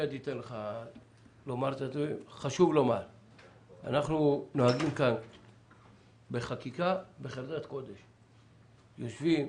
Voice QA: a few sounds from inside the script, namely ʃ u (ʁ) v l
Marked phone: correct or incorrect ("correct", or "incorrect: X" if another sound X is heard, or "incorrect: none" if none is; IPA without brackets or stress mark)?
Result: incorrect: none